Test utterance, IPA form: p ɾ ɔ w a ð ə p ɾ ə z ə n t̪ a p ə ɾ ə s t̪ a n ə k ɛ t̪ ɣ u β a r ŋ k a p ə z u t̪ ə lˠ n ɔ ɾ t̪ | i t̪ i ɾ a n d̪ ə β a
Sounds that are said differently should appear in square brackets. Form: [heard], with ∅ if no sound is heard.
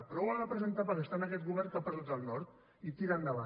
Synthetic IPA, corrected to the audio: p ɾ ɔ w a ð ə p ɾ ə z ə n t̪ a p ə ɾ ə s t̪ a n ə k ɛ t̪ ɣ u β [ɛ] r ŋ k a p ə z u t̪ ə lˠ n ɔ ɾ t̪ | i t̪ i ɾ a n d̪ ə β a